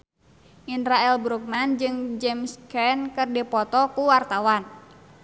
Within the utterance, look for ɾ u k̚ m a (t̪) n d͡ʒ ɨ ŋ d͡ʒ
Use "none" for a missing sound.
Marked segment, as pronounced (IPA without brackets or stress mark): none